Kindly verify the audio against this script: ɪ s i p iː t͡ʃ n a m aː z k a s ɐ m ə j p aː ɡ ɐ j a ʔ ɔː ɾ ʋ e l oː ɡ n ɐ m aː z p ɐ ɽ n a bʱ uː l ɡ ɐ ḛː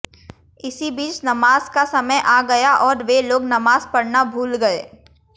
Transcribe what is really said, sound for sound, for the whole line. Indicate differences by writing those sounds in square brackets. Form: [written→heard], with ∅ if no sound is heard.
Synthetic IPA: ɪ s i [p→b] iː t͡ʃ n [a→ɐ] m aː z k a s ɐ m ə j [p→ʔ] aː ɡ ɐ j a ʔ ɔː ɾ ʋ e l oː ɡ n ɐ m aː z p ɐ ɽ n a bʱ uː l ɡ ɐ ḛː